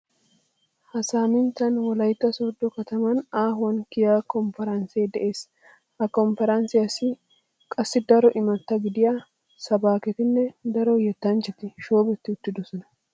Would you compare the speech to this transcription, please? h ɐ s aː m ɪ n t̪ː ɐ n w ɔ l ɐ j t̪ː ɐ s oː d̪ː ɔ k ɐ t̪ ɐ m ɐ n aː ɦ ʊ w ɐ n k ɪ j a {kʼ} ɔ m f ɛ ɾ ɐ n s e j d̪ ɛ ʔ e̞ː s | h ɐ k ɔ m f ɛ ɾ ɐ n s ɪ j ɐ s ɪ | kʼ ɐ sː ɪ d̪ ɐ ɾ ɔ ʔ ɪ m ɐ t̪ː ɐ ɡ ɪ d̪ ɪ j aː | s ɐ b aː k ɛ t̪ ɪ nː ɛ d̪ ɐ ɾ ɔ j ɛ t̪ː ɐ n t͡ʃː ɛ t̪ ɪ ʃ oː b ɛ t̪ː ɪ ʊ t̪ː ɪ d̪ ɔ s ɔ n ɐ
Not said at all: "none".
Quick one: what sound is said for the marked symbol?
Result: k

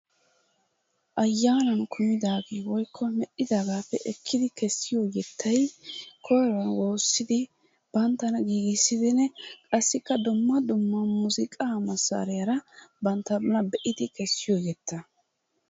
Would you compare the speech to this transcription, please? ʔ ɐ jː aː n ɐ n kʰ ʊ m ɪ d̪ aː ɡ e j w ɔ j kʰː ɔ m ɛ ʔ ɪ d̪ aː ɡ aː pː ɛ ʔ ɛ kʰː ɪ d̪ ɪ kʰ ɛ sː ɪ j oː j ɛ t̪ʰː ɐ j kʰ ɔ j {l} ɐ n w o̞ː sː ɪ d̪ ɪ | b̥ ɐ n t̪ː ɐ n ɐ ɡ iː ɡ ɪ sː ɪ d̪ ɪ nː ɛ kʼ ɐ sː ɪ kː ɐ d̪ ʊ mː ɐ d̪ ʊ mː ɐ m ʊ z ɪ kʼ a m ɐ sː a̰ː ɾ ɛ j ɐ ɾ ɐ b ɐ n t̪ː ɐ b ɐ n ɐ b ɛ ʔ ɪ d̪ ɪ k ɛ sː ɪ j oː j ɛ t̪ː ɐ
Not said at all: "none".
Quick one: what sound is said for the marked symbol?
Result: ɾ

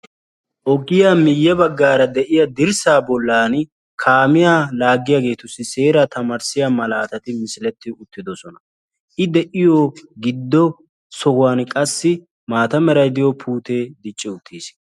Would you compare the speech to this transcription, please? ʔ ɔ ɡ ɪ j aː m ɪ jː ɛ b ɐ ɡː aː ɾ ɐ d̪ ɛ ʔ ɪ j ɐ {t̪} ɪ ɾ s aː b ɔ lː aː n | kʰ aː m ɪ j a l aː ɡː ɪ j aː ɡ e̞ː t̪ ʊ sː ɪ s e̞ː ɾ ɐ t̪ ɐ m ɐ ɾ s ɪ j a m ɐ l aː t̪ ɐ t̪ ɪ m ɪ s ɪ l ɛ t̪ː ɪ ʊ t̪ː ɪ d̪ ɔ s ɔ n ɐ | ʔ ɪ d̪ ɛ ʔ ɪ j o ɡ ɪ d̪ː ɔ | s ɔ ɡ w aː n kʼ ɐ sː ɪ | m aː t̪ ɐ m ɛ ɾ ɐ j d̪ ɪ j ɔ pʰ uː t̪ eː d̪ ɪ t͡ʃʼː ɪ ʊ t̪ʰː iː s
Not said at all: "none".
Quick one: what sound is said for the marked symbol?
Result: d̪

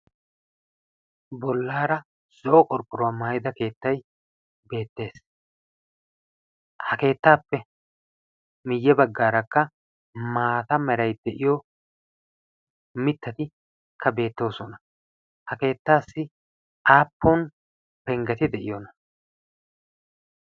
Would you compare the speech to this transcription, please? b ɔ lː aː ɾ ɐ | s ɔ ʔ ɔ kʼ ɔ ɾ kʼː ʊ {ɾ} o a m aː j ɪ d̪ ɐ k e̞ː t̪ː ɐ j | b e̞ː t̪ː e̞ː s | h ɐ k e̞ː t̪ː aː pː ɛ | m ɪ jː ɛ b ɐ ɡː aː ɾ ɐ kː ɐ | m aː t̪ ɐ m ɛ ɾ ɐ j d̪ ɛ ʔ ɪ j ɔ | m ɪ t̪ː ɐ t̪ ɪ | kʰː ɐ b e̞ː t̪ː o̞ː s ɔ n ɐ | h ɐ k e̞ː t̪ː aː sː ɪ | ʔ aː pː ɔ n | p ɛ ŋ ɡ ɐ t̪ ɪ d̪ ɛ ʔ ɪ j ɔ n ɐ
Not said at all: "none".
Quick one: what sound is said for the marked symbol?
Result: ɾ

